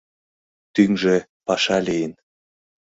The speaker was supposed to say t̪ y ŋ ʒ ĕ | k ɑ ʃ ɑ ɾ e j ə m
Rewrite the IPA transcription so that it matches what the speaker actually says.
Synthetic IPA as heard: t̪ y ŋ ʒ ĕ | p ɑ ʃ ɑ l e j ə n